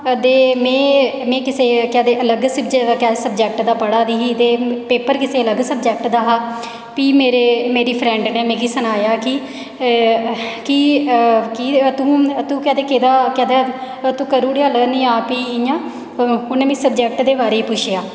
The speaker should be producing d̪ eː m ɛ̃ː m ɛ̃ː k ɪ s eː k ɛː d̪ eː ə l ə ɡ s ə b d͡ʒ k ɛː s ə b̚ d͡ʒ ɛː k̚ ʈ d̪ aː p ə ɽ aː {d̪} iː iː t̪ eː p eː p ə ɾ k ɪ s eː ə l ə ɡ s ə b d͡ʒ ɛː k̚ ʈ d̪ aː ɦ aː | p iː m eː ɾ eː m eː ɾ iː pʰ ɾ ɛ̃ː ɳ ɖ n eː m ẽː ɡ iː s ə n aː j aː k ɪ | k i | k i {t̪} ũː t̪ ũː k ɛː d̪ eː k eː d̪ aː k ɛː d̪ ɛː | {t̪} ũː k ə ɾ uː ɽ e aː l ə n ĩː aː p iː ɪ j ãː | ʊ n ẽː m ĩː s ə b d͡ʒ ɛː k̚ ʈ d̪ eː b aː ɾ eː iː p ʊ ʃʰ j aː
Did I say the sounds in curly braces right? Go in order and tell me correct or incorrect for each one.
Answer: correct, correct, correct

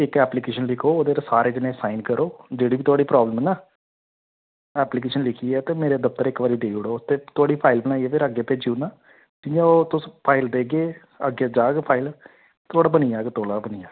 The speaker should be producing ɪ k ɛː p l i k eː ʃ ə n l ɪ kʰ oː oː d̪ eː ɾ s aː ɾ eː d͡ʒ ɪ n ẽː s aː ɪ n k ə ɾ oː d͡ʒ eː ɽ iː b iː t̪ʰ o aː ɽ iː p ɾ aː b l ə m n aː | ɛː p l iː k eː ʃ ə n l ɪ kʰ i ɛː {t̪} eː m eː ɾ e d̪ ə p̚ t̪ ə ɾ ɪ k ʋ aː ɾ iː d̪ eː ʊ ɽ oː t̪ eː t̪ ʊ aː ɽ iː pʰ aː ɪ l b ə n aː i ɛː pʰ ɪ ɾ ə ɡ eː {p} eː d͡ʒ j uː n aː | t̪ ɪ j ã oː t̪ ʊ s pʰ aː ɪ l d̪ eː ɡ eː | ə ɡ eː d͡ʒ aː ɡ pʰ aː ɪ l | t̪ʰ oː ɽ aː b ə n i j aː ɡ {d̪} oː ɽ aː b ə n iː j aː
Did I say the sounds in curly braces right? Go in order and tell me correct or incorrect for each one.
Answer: correct, correct, incorrect: t̪

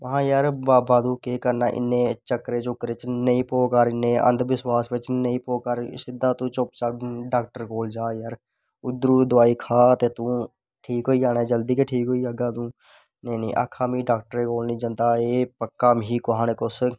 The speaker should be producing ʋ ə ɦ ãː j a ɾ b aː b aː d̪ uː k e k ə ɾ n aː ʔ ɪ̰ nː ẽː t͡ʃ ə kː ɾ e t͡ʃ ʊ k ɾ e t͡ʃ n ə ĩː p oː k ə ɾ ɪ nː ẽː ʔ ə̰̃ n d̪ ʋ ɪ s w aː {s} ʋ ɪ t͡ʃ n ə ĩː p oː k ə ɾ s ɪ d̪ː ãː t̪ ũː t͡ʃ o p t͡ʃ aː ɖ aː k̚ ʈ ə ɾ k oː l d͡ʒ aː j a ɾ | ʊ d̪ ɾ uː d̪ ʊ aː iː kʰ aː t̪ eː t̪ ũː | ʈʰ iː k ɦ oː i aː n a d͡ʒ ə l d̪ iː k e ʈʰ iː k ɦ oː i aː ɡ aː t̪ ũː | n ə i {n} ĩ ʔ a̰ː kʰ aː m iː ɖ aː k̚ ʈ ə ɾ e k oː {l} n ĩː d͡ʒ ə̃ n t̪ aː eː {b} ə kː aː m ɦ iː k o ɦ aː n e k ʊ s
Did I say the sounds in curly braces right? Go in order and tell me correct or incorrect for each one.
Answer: correct, correct, correct, incorrect: p

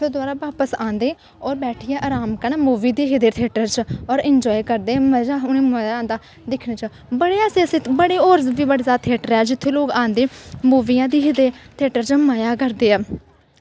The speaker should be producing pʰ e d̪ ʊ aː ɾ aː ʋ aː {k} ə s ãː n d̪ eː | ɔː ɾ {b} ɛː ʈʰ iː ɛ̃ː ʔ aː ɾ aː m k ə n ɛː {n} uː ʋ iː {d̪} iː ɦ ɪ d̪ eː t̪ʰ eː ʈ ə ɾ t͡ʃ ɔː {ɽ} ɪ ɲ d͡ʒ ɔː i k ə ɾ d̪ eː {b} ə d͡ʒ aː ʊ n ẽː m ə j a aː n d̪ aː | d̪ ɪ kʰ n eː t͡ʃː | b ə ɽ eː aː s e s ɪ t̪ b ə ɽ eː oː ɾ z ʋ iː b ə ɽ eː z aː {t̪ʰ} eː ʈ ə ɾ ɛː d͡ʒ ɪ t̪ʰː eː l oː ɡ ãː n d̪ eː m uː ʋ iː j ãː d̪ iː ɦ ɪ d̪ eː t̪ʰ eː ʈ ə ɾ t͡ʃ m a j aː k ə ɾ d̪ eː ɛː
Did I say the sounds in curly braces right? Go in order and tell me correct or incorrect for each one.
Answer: incorrect: p, correct, incorrect: m, correct, incorrect: ɾ, incorrect: m, correct

